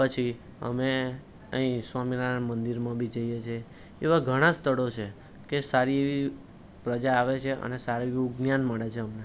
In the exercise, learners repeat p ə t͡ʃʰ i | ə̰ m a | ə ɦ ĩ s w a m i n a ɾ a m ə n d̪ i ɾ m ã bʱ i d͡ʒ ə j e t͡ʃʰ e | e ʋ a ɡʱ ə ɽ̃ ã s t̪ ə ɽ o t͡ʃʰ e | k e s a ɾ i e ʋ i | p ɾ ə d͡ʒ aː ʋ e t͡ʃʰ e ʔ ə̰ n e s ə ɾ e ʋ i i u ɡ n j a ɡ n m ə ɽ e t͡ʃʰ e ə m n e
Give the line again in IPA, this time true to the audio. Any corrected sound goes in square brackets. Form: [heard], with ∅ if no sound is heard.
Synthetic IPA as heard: p ə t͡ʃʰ i | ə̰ m [e] | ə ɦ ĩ s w a m i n a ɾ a m ə n d̪ i ɾ m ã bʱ i d͡ʒ ə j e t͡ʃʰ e | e ʋ a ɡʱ ə ɽ̃ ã s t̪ ə ɽ o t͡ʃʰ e | k e s a ɾ i e ʋ i | p ɾ ə d͡ʒ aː ʋ e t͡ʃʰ e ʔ ə̰ n e s [a] ɾ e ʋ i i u ɡ n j a [∅] n m ə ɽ e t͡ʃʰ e ə m n e

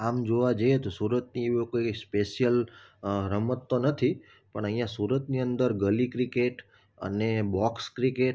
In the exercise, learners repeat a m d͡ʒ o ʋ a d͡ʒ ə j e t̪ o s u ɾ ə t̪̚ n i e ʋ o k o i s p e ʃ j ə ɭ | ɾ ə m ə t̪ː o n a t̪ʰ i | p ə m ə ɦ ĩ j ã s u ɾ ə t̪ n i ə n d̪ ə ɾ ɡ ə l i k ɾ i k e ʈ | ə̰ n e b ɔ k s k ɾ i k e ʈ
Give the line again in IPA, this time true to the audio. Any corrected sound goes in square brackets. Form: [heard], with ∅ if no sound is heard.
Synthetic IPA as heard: a m d͡ʒ o ʋ a d͡ʒ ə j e t̪ o s u ɾ ə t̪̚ n i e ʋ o k o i s p e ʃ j ə [l] | ɾ ə m ə t̪ː o n [ə] t̪ʰ i | p ə [ɳ] ə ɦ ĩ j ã s u ɾ ə t̪ n i ə n d̪ ə ɾ ɡ ə l i k ɾ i k e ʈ | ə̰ n e b ɔ k s k ɾ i k e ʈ

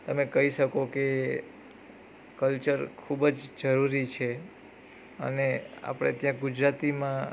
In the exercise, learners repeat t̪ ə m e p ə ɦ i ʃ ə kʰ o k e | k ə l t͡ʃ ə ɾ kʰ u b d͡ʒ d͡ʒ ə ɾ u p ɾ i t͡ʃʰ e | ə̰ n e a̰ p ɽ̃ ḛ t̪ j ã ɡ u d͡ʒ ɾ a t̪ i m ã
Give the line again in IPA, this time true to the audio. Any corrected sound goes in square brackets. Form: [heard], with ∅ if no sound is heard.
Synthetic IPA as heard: t̪ ə m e [k] ə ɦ i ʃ ə [k] o k e | k ə l t͡ʃ ə ɾ kʰ u b d͡ʒ d͡ʒ ə ɾ u [∅] ɾ i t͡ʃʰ e | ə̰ n e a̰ p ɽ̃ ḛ t̪ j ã ɡ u d͡ʒ ɾ a t̪ i m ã

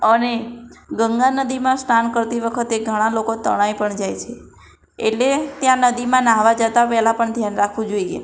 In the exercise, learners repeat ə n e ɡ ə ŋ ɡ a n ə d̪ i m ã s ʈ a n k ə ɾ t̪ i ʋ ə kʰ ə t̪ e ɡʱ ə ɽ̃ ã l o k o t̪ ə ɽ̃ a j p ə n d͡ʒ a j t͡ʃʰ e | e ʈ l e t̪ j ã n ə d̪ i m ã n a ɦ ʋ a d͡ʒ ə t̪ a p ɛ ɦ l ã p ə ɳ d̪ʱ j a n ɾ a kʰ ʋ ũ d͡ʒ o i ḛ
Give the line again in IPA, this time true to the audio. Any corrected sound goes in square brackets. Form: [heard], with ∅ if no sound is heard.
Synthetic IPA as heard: ə n e ɡ ə ŋ ɡ a n ə d̪ i m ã s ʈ a n k ə ɾ t̪ i ʋ ə kʰ ə t̪ e ɡʱ ə ɽ̃ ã l o k o t̪ ə ɽ̃ a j p ə [ɳ] d͡ʒ a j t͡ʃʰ e | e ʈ l e t̪ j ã n ə d̪ i m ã n a ɦ ʋ a d͡ʒ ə t̪ a p ɛ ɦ l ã p ə ɳ d̪ʱ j a n ɾ a kʰ ʋ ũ d͡ʒ o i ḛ

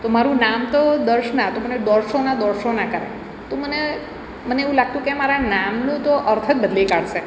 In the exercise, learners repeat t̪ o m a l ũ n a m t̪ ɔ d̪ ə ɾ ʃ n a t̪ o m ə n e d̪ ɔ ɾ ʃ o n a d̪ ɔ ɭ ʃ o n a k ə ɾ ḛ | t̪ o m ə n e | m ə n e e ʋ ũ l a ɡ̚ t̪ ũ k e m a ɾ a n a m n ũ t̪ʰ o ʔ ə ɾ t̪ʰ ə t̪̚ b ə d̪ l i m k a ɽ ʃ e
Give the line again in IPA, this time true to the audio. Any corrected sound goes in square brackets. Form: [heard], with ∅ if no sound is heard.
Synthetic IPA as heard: t̪ o m a [ɾ] ũ n a m t̪ [o] d̪ ə ɾ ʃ n a t̪ o m ə n e d̪ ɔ ɾ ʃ o n a d̪ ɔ [ɾ] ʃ o n a k ə ɾ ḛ | t̪ o m ə n e | m ə n e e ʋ ũ l a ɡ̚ t̪ ũ k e m a ɾ a n a m n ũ [t̪] o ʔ ə ɾ t̪ʰ ə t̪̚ b ə d̪ l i [∅] k a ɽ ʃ e

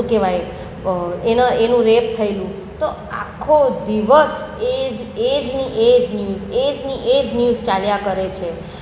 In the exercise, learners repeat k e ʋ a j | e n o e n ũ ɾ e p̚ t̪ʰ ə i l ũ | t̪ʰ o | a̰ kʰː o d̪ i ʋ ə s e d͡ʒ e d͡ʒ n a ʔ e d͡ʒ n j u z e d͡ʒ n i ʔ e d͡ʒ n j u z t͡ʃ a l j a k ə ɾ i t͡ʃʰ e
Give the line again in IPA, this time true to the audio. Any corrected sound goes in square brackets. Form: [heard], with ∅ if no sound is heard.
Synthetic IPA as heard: k e ʋ a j | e n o e n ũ ɾ e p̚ t̪ʰ ə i l ũ | [t̪] o | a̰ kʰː o d̪ i ʋ ə s e d͡ʒ e d͡ʒ n [i] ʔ e d͡ʒ n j u z e d͡ʒ n i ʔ e d͡ʒ n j u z t͡ʃ a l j a k ə ɾ [e] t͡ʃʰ e

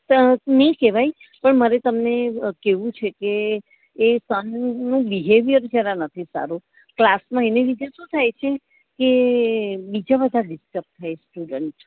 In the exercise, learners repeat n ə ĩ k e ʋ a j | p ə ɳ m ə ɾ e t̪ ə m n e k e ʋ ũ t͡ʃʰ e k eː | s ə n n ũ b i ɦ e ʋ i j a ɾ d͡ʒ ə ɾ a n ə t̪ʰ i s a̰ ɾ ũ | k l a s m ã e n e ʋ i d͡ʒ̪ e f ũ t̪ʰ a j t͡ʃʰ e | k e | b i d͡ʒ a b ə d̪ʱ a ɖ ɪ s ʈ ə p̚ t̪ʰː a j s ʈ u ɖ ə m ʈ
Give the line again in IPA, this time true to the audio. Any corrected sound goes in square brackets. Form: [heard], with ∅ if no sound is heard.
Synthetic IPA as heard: n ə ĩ k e ʋ a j | p ə ɳ m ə ɾ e t̪ ə m n e k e ʋ ũ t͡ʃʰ e k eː | s ə n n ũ b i ɦ e ʋ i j [ə] ɾ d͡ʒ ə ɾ a n ə t̪ʰ i s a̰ ɾ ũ | k l a s m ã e n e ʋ i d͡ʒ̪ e [ʃ] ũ t̪ʰ a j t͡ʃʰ e | k e | b i d͡ʒ a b ə d̪ʱ a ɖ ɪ s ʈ ə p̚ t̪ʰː a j s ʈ u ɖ ə [ɳ] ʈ

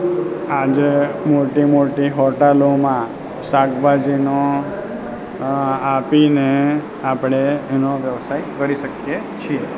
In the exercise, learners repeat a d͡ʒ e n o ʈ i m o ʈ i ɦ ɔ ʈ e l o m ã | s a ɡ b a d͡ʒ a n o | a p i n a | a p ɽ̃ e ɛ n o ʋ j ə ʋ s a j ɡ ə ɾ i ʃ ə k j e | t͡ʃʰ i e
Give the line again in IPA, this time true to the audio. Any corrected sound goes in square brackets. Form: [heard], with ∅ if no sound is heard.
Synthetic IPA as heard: a d͡ʒ e [m] o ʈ i m o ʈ i ɦ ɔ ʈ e l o m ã | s a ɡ b a d͡ʒ [i] n o | a p i n [e] | a p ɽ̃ e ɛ n o ʋ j ə ʋ s a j [k] ə ɾ i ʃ ə k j e | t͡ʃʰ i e

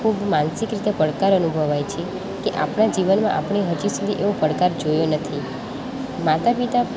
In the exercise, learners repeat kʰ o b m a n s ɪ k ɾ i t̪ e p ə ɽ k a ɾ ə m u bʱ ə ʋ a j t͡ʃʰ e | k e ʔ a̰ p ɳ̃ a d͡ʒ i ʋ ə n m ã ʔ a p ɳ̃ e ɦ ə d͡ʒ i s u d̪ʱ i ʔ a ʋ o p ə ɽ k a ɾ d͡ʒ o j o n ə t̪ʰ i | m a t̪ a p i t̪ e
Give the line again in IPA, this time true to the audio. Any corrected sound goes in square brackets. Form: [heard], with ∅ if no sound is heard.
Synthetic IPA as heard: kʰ [u] b m a n s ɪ k ɾ i t̪ e p ə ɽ k a ɾ ə [n] u bʱ ə ʋ a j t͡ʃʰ e | k e ʔ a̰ p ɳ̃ a d͡ʒ i ʋ ə n m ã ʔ a p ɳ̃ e ɦ ə d͡ʒ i s u d̪ʱ i ʔ [e] ʋ o p ə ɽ k a ɾ d͡ʒ o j o n ə t̪ʰ i | m a t̪ a p i t̪ [a]

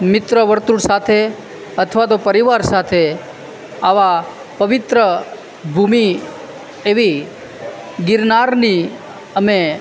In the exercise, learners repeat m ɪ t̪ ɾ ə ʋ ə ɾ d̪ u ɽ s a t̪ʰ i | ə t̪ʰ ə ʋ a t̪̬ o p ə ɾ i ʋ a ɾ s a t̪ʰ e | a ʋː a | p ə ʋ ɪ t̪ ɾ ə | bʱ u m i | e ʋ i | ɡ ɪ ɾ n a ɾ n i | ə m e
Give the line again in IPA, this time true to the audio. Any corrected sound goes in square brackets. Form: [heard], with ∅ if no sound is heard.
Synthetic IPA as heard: m ɪ t̪ ɾ ə ʋ ə ɾ [t̪] u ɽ s a t̪ʰ [e] | ə t̪ʰ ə ʋ a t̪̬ o p ə ɾ i ʋ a ɾ s a t̪ʰ e | a [ʋ] a | p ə ʋ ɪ t̪ ɾ ə | bʱ u m i | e ʋ i | ɡ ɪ ɾ n a ɾ n i | ə m e

